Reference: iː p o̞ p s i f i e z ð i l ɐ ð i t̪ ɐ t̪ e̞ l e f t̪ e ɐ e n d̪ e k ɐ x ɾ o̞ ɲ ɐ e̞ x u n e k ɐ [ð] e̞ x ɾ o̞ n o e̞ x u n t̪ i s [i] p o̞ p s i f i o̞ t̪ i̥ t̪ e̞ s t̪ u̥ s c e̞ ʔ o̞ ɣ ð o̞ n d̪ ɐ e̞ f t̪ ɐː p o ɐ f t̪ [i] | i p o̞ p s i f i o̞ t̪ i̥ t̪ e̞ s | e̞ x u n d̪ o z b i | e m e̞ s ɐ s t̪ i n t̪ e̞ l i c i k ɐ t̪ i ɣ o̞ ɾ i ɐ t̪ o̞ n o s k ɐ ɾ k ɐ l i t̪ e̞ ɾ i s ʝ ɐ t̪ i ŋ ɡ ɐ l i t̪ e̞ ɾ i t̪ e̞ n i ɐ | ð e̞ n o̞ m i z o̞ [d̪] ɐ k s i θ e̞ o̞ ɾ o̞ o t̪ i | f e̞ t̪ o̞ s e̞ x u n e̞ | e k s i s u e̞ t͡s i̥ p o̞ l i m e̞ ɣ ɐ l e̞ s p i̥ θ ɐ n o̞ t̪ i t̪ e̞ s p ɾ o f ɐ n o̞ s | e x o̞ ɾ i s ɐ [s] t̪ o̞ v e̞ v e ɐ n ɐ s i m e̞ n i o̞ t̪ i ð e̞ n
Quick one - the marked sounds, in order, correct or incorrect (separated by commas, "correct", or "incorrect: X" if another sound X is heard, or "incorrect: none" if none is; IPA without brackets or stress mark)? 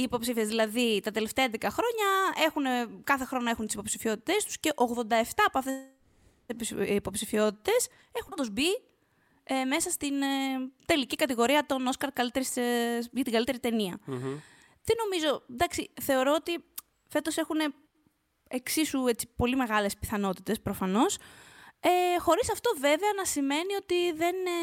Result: incorrect: θ, correct, incorrect: e, correct, incorrect: f